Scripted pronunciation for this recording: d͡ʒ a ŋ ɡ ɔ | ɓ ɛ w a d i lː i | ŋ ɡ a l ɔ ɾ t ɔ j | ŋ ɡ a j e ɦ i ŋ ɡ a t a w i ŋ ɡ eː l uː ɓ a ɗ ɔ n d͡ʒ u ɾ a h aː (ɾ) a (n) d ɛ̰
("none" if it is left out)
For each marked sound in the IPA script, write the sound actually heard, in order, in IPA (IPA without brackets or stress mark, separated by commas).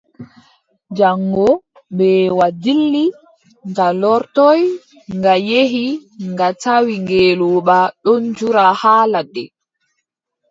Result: l, none